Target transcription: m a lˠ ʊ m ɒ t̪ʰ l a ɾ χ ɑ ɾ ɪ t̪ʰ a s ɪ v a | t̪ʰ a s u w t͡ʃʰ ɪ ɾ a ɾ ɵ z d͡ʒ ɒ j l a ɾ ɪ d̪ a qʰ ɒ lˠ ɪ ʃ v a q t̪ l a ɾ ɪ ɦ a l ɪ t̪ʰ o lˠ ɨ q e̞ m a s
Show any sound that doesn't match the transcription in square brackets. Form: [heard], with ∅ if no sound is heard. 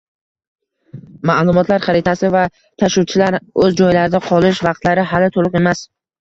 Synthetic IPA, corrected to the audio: m a lˠ ʊ m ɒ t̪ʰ l a ɾ χ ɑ ɾ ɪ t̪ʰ a s ɪ v a | t̪ʰ a [ʃ] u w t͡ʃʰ ɪ [l] a ɾ ɵ z d͡ʒ ɒ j l a ɾ ɪ d̪ a qʰ ɒ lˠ ɪ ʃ v [ɑ] q t̪ l a ɾ ɪ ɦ a l ɪ t̪ʰ o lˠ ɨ q e̞ m a s